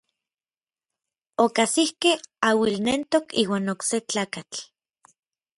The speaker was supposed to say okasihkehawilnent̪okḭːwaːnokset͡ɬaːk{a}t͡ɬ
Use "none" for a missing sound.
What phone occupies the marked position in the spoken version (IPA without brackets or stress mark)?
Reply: a